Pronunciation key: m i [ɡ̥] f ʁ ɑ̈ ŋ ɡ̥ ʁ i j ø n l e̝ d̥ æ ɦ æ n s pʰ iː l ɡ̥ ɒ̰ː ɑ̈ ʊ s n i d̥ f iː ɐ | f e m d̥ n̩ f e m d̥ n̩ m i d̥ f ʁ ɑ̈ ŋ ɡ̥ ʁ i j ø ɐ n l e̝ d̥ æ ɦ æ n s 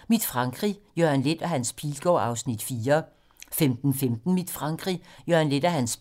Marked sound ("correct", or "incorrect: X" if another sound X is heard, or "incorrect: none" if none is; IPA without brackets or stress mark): incorrect: d̥